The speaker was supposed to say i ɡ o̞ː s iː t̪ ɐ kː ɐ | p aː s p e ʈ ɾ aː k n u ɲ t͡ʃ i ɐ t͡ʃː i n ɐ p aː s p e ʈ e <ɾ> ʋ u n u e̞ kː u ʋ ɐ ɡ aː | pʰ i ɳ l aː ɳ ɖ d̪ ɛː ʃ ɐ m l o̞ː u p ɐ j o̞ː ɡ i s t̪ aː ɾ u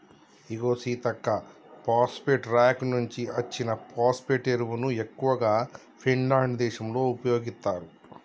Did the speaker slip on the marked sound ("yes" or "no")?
no